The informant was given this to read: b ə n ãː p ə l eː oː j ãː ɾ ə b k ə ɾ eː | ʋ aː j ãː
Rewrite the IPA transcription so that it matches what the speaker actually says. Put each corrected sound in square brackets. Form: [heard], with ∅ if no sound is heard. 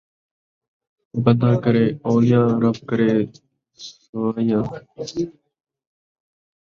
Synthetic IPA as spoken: b ə n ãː [k] ə [ɾ] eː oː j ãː ɾ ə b k ə ɾ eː | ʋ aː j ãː